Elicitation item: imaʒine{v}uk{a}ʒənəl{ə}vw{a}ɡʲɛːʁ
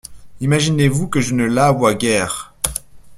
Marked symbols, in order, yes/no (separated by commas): yes, no, no, yes